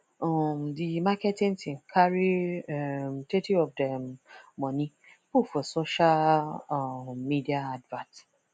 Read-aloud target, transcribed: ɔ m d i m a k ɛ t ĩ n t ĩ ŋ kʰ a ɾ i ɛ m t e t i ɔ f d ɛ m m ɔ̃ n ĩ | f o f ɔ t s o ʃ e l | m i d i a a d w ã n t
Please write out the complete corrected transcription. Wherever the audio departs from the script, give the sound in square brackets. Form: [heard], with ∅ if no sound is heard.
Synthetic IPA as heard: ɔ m d i m a k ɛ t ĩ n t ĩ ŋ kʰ a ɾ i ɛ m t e t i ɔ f d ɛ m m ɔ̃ n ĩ | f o f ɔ [∅] s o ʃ [a] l | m i d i a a d [v] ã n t